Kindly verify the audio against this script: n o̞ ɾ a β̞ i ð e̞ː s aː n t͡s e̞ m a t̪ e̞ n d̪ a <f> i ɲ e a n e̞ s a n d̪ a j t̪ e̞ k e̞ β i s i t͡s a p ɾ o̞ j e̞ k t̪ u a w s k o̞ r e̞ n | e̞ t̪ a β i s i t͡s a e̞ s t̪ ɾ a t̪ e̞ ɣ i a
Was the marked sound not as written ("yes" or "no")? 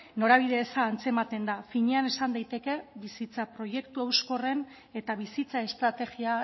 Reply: no